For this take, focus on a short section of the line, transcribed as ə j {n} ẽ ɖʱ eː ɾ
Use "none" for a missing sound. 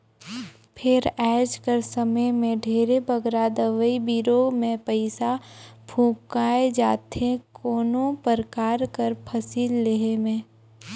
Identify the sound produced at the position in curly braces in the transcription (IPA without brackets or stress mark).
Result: m